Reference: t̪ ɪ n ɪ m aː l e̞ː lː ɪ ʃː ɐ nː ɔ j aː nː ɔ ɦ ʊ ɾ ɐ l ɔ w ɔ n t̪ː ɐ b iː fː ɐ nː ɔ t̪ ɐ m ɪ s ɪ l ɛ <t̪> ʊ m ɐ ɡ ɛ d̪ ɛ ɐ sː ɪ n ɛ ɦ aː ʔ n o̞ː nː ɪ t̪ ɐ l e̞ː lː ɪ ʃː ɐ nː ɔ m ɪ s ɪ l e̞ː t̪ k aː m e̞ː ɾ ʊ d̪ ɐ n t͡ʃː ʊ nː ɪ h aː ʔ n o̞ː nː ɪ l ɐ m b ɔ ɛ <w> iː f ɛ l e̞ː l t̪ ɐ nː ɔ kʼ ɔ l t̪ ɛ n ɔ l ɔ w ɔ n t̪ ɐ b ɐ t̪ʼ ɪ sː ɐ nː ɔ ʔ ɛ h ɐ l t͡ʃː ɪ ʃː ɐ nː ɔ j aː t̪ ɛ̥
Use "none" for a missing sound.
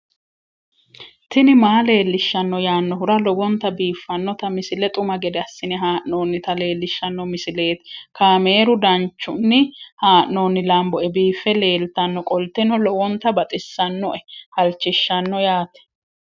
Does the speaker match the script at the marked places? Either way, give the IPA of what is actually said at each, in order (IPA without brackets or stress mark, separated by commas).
t̪ʼ, b